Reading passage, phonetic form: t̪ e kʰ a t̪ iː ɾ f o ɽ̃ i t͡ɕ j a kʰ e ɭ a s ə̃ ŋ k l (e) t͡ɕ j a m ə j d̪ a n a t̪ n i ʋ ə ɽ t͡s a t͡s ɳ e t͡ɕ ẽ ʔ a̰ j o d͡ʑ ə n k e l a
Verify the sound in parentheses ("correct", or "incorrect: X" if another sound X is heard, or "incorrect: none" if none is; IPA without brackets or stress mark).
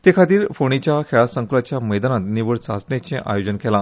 incorrect: a